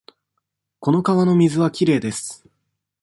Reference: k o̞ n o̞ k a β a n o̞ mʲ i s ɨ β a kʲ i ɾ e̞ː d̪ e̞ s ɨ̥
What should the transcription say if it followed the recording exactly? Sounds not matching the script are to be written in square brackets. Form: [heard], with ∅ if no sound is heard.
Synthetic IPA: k o̞ n o̞ k a β a n o̞ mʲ i [z] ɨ β a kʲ i ɾ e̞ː d̪ e̞ s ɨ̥